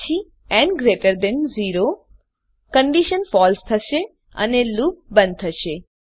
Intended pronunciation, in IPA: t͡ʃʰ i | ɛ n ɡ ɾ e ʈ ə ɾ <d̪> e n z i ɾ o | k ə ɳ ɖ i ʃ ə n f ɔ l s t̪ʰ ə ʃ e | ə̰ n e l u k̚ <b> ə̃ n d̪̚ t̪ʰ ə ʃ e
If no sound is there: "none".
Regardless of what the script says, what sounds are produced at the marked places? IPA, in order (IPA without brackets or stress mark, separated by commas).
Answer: d̪, b